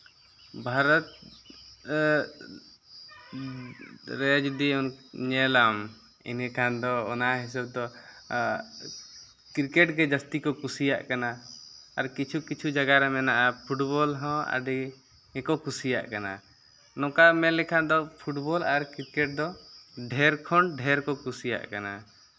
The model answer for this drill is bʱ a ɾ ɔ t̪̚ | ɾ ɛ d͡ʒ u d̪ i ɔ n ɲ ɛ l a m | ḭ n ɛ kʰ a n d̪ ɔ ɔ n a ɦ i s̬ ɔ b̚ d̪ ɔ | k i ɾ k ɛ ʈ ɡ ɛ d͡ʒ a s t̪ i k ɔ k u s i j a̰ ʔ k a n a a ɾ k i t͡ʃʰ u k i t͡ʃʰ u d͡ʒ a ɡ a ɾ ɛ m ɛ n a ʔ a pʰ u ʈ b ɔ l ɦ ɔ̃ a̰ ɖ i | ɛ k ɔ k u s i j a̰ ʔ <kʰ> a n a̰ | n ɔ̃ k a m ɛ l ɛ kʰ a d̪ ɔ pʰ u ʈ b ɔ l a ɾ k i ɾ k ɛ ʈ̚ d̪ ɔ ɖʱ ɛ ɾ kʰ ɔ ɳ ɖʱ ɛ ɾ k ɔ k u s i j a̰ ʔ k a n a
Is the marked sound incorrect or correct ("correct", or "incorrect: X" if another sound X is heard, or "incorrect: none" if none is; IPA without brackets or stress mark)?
incorrect: k